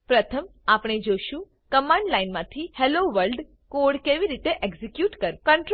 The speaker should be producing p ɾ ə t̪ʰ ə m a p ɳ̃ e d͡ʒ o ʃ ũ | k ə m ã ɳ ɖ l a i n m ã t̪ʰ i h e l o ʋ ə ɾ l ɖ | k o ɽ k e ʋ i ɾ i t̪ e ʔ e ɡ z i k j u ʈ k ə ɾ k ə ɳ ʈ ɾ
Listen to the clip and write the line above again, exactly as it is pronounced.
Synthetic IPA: p ɾ ə t̪ʰ ə m a p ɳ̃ e d͡ʒ o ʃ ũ | k ə m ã ɳ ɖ l a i n m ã t̪ʰ i h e l o ʋ ə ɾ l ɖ | k o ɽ k e ʋ i ɾ i t̪ e ʔ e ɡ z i k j u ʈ k ə ɾ k ə ɳ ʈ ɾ